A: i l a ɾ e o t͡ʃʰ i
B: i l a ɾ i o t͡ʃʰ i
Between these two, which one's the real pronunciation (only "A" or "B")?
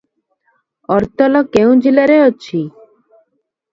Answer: A